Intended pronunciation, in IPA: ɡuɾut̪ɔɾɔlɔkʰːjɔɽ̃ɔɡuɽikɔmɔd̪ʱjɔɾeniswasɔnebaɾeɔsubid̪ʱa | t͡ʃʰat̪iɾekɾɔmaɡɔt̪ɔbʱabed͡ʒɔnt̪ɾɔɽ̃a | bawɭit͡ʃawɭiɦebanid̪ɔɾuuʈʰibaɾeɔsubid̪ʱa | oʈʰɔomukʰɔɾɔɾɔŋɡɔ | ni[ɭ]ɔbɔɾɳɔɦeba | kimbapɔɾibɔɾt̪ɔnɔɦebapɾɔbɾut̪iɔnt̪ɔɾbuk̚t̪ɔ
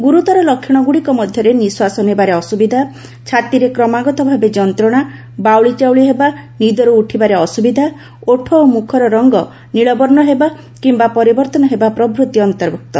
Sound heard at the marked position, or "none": ɭ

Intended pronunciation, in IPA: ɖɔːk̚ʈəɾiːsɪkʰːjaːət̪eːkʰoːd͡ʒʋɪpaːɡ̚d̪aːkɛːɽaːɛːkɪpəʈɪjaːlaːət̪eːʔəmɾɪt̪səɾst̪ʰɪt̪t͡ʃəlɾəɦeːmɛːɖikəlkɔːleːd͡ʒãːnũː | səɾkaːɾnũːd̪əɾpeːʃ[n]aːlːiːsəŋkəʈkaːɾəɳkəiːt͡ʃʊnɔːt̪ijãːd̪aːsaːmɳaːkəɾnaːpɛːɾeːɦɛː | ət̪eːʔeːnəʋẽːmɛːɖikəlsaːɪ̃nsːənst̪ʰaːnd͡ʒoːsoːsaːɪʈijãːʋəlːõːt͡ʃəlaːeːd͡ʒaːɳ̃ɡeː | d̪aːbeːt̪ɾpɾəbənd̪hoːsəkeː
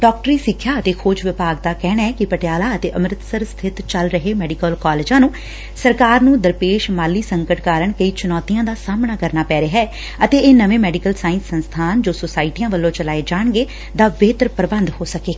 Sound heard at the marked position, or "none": m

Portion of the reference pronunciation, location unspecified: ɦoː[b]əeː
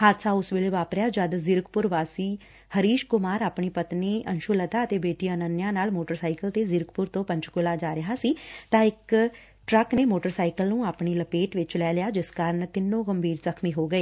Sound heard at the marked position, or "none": ɡ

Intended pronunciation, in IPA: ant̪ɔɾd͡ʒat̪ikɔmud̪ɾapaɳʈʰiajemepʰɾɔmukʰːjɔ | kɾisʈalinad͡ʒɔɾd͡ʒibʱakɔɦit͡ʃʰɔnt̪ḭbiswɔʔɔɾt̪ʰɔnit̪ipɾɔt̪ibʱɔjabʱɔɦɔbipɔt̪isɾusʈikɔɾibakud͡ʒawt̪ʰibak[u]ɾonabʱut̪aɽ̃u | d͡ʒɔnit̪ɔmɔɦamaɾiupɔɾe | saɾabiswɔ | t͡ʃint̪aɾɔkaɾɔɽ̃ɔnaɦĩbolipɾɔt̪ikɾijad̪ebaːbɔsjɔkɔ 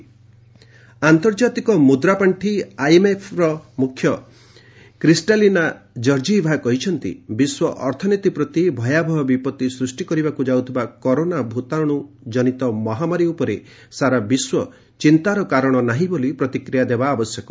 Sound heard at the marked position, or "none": ɔ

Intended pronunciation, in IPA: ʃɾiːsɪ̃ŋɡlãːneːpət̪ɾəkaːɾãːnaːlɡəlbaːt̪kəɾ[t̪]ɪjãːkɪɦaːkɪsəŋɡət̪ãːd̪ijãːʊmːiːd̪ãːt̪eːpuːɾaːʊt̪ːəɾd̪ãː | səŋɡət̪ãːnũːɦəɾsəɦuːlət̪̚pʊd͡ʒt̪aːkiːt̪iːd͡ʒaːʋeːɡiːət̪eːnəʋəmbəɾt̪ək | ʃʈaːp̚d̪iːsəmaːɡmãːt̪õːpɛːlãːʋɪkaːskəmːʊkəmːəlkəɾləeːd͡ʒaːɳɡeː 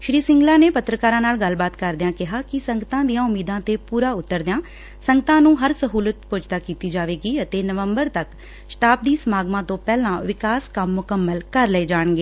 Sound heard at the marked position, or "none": d̪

